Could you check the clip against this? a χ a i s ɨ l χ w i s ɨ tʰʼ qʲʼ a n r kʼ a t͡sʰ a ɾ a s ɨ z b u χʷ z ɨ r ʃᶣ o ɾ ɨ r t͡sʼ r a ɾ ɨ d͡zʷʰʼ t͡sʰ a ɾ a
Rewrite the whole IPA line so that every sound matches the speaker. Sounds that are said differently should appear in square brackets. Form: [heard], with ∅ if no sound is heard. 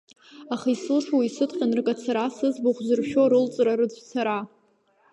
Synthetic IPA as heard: a χ a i s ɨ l [ʂ] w i s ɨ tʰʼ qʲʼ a n r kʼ a t͡sʰ a ɾ a s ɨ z b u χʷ z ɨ r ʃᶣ o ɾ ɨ [l] t͡sʼ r a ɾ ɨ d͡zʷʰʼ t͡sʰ a ɾ a